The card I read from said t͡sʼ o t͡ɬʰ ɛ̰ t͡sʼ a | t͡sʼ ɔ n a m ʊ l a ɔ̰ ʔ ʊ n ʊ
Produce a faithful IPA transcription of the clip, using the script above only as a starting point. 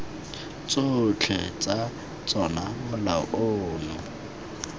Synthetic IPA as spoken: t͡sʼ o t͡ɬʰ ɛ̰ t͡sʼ a | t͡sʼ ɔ n a m ʊ l a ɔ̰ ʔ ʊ n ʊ